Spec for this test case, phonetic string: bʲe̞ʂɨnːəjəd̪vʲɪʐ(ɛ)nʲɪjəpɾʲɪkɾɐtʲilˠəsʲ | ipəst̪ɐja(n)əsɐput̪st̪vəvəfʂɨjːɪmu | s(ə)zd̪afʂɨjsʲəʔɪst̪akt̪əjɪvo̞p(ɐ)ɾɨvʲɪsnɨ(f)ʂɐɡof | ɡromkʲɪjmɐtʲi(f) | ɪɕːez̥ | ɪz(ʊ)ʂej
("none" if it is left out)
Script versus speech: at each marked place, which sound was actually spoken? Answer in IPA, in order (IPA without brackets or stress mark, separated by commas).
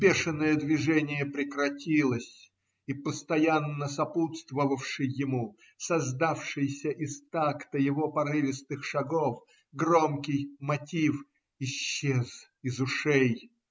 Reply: ɛ, nː, ɐ, ɐ, x, f, ʊ